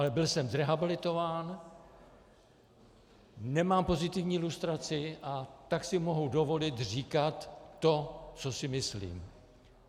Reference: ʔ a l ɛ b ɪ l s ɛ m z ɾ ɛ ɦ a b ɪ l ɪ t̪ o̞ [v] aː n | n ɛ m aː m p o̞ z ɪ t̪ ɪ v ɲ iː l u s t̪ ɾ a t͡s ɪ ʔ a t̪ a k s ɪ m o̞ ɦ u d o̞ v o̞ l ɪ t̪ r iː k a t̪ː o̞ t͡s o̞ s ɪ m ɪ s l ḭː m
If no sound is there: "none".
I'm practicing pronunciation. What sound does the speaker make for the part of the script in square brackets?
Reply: v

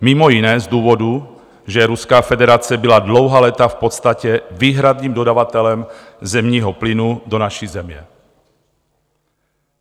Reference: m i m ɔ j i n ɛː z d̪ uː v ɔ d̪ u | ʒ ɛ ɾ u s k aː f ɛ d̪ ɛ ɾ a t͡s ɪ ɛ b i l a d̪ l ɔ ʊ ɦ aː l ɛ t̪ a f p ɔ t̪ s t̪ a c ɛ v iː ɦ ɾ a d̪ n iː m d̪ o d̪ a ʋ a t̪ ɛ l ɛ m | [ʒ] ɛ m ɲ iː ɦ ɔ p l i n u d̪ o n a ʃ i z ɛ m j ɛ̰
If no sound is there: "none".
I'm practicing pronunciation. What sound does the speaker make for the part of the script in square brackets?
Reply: z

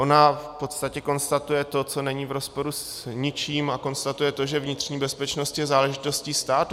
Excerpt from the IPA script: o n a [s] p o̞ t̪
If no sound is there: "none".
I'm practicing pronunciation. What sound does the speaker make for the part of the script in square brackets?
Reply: f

